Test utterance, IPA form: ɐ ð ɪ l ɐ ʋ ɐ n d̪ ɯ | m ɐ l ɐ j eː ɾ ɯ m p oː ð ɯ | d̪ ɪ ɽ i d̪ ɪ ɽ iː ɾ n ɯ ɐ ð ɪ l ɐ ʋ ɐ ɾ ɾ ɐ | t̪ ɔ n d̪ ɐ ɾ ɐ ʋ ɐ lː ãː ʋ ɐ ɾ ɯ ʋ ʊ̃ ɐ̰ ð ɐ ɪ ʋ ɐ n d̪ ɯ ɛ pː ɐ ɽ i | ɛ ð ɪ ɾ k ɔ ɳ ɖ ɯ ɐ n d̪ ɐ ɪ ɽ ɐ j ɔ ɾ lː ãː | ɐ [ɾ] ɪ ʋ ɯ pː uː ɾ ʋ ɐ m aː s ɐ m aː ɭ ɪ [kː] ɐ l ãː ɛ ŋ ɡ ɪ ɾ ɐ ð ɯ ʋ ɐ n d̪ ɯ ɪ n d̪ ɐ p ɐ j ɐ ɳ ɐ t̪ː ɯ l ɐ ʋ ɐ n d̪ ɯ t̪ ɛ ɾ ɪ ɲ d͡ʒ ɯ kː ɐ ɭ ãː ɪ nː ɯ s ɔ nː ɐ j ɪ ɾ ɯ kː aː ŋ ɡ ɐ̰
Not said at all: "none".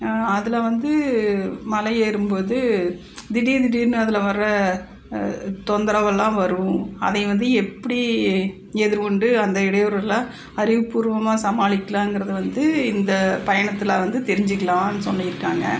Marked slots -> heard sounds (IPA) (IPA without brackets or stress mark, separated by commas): ɾ, kː